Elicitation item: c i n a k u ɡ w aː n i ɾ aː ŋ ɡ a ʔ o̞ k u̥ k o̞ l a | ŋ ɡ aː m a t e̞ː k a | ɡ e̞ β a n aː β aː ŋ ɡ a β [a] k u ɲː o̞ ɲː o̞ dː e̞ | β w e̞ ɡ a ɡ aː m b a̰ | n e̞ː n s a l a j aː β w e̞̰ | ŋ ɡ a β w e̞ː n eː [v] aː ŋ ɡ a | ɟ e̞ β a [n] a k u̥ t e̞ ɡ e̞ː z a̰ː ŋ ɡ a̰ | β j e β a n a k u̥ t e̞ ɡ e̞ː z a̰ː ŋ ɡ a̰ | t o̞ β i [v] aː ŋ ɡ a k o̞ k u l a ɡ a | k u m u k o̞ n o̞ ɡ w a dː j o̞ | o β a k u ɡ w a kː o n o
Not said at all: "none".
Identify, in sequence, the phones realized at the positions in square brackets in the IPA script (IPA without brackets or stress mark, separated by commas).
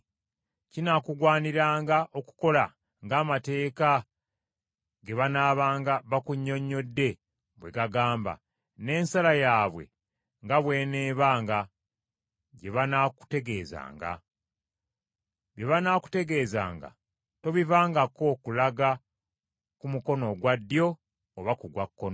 a, β, n, v